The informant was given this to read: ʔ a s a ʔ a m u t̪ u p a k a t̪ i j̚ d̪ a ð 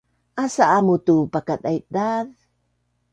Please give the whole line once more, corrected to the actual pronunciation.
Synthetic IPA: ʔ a s a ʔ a m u t̪ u p a k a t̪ a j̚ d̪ a ð